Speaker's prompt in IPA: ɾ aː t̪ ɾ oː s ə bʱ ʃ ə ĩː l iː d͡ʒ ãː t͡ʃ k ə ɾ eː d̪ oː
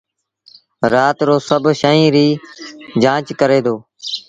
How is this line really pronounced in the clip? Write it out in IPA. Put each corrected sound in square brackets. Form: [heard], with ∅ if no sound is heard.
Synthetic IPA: ɾ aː t̪ ɾ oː s ə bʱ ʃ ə ĩː [ɾ] iː d͡ʒ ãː t͡ʃ k ə ɾ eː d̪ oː